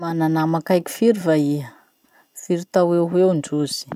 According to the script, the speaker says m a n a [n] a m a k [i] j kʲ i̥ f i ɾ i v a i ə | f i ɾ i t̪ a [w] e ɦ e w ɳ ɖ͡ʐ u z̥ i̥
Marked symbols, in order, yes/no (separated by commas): yes, no, yes